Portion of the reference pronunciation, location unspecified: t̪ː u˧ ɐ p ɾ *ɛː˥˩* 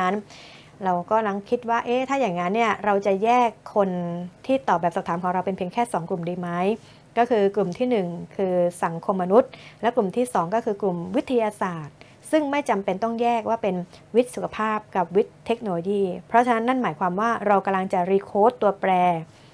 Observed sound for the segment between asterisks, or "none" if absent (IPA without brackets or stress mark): ɛː˧